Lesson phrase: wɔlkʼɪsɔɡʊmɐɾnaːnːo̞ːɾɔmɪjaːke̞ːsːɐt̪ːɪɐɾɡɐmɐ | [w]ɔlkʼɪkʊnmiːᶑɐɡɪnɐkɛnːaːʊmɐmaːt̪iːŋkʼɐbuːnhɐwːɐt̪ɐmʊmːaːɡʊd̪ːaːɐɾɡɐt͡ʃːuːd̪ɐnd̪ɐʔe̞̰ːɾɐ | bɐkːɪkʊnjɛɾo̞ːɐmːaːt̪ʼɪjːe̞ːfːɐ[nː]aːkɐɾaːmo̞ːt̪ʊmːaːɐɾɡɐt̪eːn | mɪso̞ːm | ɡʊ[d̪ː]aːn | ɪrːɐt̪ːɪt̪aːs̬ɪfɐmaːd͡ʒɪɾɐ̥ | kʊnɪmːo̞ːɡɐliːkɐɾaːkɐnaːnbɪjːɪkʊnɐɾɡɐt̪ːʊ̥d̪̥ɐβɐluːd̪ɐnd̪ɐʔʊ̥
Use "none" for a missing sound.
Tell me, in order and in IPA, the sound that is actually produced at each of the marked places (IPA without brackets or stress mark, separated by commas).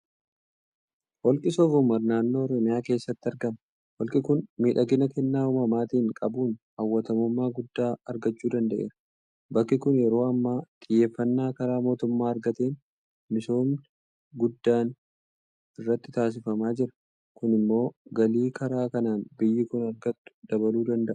w, nː, d̪ː